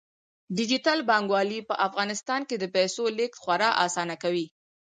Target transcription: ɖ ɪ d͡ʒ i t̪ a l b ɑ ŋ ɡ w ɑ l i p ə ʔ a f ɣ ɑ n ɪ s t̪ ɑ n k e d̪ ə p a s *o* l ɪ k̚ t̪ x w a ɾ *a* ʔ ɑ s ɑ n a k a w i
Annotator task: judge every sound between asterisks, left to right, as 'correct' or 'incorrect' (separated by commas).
correct, incorrect